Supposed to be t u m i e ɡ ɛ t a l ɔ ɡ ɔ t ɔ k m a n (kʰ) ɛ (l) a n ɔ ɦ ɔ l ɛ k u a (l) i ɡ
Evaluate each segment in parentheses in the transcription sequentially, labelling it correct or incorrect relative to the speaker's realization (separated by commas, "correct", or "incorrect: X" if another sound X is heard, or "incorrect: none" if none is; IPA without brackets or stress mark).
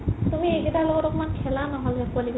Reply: correct, correct, correct